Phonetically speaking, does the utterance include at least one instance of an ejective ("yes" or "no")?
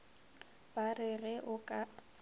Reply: yes